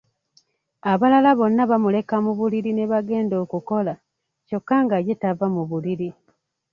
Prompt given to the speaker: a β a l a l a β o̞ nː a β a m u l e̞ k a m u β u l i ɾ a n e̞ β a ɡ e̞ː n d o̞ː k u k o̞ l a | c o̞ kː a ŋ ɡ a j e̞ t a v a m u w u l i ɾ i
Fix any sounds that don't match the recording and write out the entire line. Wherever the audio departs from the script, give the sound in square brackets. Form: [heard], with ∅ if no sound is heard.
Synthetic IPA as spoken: a β a l a l a β o̞ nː a β a m u l e̞ k a m u β u l i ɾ [i] n e̞ β a ɡ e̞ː n d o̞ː k u k o̞ l a | c o̞ kː a ŋ ɡ a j e̞ t a v a m u [β] u l i ɾ i